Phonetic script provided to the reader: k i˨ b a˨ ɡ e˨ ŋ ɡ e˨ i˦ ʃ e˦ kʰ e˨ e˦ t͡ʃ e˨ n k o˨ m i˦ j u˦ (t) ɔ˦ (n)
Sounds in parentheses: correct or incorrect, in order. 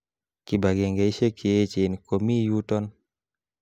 correct, correct

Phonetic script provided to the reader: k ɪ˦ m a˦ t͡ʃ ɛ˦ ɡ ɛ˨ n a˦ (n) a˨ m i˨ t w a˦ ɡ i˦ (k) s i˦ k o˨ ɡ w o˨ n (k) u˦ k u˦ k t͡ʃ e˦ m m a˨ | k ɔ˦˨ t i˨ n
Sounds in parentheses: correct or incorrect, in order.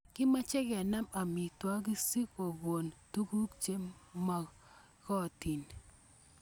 incorrect: m, incorrect: none, incorrect: t

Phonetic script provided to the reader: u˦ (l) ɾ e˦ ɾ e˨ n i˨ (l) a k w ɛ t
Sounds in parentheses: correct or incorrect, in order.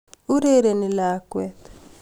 incorrect: none, correct

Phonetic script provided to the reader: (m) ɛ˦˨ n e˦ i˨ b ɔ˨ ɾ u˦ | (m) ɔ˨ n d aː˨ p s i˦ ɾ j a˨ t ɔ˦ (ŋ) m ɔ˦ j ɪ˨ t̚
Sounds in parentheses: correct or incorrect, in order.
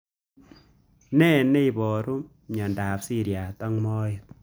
incorrect: n, incorrect: ɲ, correct

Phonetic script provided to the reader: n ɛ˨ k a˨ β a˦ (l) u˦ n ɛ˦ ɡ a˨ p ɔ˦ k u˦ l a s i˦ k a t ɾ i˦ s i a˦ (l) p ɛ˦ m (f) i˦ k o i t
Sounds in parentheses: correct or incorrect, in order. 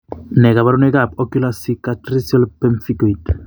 incorrect: ɾ, correct, correct

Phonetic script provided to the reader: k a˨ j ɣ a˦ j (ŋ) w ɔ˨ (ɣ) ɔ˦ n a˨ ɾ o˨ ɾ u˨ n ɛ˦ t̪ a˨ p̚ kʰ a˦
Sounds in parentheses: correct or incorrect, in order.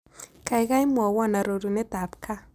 incorrect: m, incorrect: w

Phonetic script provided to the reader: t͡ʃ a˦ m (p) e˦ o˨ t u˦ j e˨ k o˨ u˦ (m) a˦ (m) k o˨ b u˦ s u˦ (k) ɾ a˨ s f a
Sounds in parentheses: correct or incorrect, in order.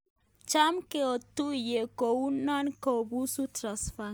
incorrect: k, incorrect: n, incorrect: n, incorrect: t

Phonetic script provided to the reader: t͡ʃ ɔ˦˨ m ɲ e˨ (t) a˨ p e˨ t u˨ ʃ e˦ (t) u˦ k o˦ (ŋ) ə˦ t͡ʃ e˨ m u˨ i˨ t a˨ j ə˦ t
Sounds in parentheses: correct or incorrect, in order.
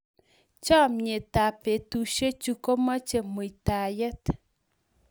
correct, incorrect: t͡ʃ, incorrect: m

